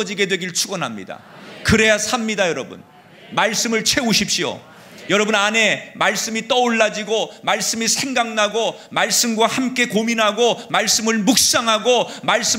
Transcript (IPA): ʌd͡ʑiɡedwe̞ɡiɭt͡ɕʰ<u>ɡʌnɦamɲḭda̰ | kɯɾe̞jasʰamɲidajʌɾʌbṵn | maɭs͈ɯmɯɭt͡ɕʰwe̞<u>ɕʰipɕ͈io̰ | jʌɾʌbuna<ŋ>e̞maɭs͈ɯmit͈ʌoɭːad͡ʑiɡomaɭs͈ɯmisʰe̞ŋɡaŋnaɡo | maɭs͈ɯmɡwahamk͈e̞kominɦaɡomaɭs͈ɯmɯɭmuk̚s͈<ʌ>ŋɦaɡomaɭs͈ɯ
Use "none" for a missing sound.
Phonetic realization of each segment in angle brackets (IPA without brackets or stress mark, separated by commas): u, u, n, a